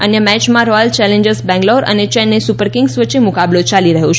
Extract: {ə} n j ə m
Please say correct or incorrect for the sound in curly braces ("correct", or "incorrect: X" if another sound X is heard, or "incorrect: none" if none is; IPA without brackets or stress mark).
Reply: correct